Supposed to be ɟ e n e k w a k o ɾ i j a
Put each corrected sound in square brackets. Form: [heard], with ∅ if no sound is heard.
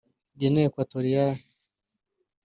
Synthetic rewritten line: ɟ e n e k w a [t] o ɾ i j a